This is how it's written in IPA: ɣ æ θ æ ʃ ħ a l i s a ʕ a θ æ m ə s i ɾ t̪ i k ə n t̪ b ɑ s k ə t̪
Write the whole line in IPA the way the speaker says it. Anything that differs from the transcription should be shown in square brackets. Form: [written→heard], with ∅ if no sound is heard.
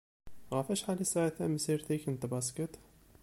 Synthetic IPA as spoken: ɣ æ [θ→f] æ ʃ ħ a l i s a ʕ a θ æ m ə s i ɾ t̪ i k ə n t̪ b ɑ s k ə t̪